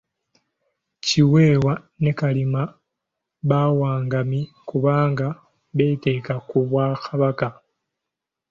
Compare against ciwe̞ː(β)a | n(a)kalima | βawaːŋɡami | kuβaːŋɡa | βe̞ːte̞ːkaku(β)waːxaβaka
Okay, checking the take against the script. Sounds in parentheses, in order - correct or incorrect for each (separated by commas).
incorrect, incorrect, correct